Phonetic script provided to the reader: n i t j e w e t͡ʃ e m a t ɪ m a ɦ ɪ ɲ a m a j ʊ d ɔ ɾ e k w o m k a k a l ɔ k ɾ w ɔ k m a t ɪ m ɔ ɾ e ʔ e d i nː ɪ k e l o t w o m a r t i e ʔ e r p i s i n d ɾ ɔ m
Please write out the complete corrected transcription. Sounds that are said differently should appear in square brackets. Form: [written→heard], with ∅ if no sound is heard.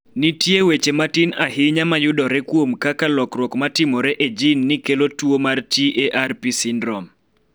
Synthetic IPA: n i t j e w e t͡ʃ e m a t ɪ [m→n] a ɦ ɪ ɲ a m a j ʊ d ɔ ɾ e k w o m k a k a l ɔ k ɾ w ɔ k m a t ɪ m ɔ ɾ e ʔ e [d→d͡ʒ] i nː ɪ k e l o t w o m a r t i e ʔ [e→a] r p i s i n d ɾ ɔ m